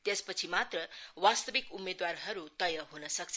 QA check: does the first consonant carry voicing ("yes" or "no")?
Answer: no